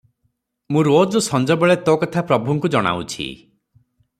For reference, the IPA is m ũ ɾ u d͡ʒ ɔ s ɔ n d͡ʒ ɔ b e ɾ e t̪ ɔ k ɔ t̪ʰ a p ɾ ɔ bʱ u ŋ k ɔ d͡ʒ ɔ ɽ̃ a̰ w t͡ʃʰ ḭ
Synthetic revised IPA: m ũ ɾ o d͡ʒ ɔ s ɔ n d͡ʒ ɔ b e ɭ e t̪ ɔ k ɔ t̪ʰ a p ɾ ɔ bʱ u ŋ k u d͡ʒ ɔ ɽ̃ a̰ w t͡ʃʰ ḭ